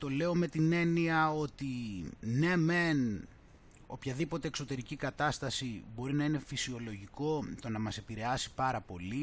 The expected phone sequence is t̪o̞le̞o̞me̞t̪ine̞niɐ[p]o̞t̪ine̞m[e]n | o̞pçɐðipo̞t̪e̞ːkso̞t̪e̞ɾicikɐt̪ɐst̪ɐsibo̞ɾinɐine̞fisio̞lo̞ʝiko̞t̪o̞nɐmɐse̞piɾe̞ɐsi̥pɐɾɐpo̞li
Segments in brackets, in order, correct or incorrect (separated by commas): incorrect, correct